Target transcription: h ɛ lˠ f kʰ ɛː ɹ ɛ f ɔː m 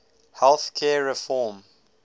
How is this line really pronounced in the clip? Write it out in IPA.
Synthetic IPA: h ɛ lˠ θ kʰ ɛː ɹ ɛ f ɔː m